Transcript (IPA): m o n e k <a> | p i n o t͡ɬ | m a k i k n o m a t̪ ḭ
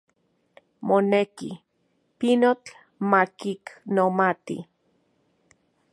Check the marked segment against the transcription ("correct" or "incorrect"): incorrect